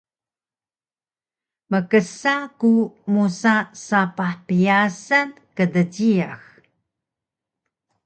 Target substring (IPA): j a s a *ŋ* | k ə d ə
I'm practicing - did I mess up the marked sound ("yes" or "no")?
yes